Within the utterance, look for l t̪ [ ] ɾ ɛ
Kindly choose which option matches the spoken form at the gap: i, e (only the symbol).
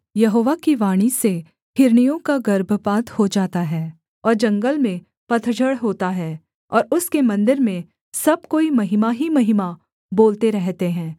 e